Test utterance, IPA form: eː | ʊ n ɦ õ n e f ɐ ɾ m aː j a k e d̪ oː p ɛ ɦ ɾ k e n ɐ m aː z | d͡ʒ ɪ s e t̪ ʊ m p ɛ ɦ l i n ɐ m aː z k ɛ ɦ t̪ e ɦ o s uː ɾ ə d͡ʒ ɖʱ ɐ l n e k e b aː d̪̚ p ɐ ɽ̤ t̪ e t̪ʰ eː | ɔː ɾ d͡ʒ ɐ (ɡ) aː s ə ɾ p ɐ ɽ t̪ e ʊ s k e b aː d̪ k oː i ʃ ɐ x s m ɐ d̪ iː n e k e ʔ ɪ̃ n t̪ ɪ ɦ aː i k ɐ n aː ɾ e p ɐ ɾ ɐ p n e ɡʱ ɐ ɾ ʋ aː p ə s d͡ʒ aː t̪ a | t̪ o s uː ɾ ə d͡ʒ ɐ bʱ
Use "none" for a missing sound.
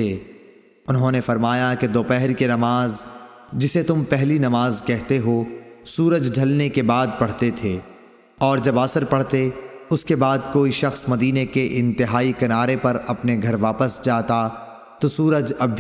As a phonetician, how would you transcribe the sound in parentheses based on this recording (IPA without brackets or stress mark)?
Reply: b